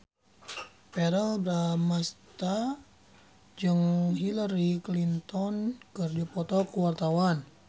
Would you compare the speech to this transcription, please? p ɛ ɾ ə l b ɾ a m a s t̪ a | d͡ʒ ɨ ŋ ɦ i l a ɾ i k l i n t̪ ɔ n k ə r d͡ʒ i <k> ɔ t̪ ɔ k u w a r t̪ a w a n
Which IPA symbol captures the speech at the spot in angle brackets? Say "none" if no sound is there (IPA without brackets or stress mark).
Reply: p